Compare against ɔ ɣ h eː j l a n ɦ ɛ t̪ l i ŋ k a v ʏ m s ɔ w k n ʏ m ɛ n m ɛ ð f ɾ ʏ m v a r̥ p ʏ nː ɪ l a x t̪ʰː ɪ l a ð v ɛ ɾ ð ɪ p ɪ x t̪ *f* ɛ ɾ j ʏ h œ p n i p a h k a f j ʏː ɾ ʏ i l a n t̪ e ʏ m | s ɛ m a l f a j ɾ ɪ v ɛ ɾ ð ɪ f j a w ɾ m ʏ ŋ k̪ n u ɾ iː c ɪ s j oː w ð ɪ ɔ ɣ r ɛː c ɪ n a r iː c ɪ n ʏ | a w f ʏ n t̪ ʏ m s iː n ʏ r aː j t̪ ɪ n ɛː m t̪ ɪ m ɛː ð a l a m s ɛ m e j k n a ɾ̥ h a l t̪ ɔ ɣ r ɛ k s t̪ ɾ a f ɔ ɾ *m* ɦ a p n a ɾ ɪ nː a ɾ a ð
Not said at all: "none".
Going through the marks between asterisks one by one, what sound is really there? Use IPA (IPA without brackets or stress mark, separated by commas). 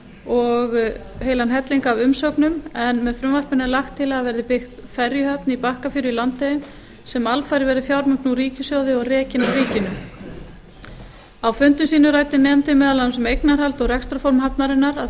f, m